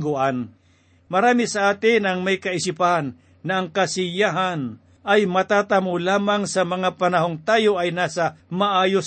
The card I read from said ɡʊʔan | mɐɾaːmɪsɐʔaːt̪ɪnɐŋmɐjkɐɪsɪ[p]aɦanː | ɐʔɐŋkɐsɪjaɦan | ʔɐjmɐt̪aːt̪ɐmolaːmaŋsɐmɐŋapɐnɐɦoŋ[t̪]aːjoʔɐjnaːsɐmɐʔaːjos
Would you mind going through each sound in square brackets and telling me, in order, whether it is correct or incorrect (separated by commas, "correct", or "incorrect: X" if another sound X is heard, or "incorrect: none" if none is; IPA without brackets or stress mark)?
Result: correct, correct